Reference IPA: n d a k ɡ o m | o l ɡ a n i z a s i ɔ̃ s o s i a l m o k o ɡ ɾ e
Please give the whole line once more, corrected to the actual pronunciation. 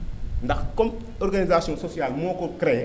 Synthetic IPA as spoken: n d a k k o m | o ɾ ɡ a n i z a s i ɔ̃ s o s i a l m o k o k ɾ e